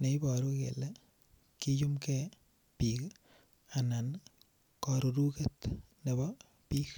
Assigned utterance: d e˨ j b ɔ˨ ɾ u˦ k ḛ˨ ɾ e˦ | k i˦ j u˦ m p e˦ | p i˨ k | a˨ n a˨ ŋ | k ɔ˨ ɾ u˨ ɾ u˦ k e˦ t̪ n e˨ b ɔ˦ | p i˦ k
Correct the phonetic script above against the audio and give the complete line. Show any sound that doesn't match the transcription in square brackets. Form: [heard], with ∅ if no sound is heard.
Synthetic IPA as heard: [n] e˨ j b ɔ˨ ɾ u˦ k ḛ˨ [l] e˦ | k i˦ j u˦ m [k] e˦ | p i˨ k | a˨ n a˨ [n] | k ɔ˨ ɾ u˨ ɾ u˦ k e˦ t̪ n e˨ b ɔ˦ | p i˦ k